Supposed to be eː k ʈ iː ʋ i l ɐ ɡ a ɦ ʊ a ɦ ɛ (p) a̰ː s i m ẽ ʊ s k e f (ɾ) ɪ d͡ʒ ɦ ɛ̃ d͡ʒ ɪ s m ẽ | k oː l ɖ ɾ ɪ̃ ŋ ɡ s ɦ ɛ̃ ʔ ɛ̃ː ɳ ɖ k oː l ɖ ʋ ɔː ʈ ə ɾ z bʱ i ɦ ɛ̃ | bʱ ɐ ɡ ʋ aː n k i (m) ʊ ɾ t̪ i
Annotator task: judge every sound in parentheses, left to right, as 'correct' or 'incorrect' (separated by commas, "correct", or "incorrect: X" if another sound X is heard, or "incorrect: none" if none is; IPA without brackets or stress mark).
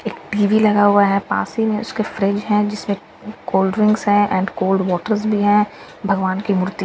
correct, correct, correct